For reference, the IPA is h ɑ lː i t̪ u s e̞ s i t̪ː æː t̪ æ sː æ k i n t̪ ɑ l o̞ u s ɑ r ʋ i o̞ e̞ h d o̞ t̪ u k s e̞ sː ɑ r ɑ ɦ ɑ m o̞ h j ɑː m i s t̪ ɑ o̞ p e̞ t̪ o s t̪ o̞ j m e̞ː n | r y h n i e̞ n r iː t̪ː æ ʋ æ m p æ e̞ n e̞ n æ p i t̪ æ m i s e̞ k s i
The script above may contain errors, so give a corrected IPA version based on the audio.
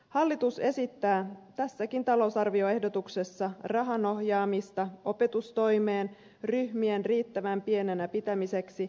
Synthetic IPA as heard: h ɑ lː i t̪ u s e̞ s i t̪ː æː t̪ æ sː æ k i n t̪ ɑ l o̞ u s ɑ r ʋ i o̞ e̞ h d o̞ t̪ u k s e̞ sː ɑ r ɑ ɦ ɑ n o̞ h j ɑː m i s t̪ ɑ o̞ p e̞ t̪ u s t̪ o̞ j m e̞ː n | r y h m i e̞ n r iː t̪ː æ ʋ æ m p i e̞ n e̞ n æ p i t̪ æ m i s e̞ k s i